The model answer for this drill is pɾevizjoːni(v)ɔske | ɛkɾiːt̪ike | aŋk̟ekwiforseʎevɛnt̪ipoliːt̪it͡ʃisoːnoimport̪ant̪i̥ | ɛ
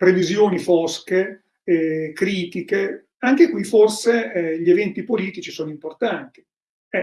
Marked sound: incorrect: f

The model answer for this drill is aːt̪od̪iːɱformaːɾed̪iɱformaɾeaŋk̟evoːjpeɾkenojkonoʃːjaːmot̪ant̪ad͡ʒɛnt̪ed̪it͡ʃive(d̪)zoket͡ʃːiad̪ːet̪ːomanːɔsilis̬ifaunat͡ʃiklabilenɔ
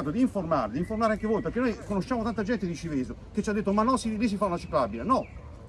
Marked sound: incorrect: none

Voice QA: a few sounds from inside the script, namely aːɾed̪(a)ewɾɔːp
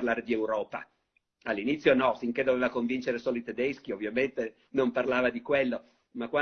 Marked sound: incorrect: i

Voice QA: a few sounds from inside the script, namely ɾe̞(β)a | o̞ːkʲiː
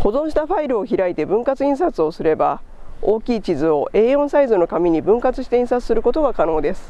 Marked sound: incorrect: b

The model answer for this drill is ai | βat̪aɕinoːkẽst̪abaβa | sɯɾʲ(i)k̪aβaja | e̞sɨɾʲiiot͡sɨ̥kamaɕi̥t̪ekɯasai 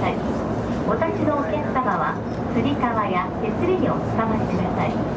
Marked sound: correct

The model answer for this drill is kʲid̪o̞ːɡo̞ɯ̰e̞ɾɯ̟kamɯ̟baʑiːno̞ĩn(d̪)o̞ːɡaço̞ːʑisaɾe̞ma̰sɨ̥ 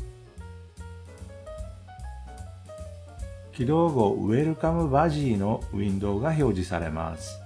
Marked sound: correct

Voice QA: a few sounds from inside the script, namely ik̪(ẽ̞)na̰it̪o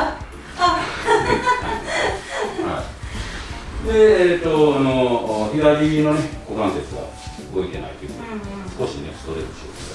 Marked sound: incorrect: e̞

